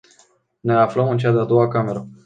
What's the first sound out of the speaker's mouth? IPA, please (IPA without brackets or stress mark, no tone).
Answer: n